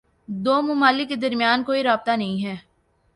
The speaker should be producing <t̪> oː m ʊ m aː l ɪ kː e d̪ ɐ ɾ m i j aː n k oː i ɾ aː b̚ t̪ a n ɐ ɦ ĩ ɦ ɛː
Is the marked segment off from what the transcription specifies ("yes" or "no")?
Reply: yes